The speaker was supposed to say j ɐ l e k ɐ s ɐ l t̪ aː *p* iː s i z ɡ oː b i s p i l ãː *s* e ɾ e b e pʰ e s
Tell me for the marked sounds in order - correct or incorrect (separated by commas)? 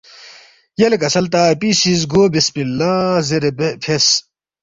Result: correct, incorrect